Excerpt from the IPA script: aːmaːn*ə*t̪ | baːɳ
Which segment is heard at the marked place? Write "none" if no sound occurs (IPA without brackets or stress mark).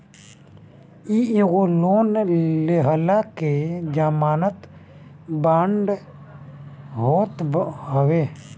ə